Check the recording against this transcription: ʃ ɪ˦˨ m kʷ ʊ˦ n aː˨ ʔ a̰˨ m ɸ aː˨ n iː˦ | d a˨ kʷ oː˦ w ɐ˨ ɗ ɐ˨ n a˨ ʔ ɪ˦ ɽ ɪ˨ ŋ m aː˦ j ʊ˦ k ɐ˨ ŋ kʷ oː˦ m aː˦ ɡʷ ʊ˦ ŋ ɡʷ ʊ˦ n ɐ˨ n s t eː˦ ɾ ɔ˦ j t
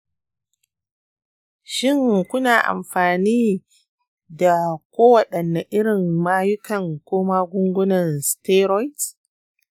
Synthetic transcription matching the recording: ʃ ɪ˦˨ ŋ kʷ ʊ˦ n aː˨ ʔ a̰˨ m ɸ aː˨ n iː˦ | d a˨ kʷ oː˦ w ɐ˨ ɗ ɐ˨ nː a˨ ʔ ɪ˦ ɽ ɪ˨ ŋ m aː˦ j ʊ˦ k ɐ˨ ŋ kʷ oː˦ m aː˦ ɡʷ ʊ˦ ŋ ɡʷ ʊ˦ n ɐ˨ n s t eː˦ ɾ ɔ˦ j t